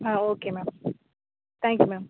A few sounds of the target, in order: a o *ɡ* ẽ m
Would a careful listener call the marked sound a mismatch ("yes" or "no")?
yes